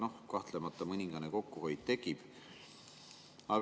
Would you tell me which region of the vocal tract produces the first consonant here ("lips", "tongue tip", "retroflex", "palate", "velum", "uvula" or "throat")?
tongue tip